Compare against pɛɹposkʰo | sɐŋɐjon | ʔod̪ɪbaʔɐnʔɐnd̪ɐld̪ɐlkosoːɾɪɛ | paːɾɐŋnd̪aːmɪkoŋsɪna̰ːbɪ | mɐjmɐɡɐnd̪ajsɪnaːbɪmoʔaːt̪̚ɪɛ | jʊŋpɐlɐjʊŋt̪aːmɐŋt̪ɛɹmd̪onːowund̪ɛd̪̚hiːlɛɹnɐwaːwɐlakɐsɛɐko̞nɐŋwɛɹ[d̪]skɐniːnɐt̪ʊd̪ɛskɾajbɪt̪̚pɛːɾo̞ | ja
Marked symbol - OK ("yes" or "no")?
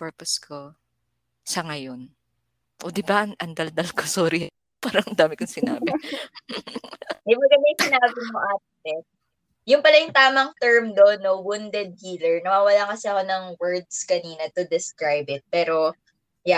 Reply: yes